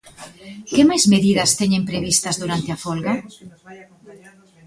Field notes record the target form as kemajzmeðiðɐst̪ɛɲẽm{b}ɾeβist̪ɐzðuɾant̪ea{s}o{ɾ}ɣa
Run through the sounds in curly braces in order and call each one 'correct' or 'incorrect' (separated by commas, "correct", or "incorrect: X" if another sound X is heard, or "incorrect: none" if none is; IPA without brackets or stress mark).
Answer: incorrect: p, incorrect: f, incorrect: l